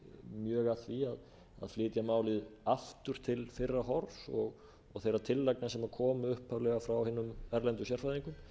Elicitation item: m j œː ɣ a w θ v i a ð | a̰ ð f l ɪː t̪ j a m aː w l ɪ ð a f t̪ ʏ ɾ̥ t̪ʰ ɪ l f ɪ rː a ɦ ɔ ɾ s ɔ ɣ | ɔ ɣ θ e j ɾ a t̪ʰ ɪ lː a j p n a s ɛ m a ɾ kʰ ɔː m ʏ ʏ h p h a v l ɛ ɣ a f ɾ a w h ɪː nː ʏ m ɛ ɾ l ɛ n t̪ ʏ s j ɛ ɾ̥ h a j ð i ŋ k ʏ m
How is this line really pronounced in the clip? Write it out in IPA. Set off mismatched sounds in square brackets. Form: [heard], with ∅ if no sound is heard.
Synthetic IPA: m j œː ɣ a [∅] θ v i a ð | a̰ ð f l ɪː t̪ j a m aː w l ɪ ð a f t̪ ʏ ɾ̥ t̪ʰ ɪ l f ɪ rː a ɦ ɔ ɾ s ɔ ɣ | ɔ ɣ θ e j ɾ a t̪ʰ ɪ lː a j [k] n a s ɛ m a ɾ kʰ ɔː m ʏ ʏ h p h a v l ɛ ɣ a f ɾ a w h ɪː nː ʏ m ɛ ɾ l ɛ n t̪ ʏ s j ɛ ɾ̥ [f] a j ð i ŋ k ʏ m